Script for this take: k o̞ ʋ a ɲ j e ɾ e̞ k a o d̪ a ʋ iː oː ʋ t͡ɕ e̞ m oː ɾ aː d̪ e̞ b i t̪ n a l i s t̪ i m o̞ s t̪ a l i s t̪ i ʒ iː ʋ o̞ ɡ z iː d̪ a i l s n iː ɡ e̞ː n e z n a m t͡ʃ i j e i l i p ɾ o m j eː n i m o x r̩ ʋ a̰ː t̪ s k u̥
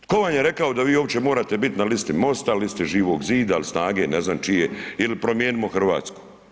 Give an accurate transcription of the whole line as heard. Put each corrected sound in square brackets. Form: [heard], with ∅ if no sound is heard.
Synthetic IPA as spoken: k o̞ ʋ a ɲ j e ɾ e̞ k a o d̪ a ʋ iː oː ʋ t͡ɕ e̞ m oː ɾ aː [t̪] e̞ b i t̪ n a l i s t̪ i m o̞ s t̪ a l i s t̪ i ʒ iː ʋ o̞ ɡ z iː d̪ a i l s n [aː] ɡ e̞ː n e z n a m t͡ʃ i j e i l i p ɾ o m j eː n i m o x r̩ ʋ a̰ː t̪ s k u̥